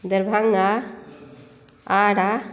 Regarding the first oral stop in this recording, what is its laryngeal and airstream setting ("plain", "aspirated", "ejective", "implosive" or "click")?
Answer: plain